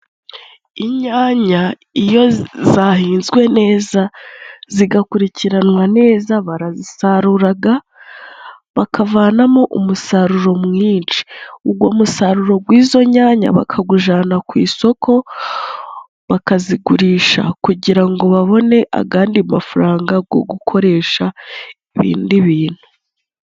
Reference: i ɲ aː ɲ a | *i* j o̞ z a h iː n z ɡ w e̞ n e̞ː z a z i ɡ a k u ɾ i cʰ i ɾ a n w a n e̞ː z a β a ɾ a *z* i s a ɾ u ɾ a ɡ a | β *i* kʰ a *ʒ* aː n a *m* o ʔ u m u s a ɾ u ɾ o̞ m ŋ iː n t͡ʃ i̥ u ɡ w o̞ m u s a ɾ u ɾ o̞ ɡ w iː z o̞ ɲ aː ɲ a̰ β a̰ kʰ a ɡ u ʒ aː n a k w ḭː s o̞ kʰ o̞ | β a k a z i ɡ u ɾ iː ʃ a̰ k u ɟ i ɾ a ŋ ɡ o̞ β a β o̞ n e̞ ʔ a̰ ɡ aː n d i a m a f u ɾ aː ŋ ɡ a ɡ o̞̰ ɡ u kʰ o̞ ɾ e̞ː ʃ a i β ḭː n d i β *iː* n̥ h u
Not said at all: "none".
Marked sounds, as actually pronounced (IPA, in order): i, z, a, v, m, iː

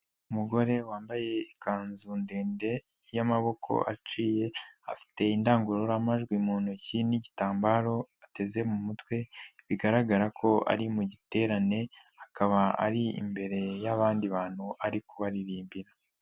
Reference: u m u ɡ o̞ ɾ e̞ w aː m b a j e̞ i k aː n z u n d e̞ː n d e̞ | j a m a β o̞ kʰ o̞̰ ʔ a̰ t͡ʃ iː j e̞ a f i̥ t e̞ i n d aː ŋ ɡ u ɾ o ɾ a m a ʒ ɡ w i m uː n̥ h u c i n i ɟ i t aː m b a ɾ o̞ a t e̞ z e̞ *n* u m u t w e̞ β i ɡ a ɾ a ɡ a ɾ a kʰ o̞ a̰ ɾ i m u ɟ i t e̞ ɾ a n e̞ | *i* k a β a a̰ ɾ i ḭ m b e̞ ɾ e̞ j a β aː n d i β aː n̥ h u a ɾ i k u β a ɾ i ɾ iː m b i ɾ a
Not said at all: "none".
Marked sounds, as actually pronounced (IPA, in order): m, a

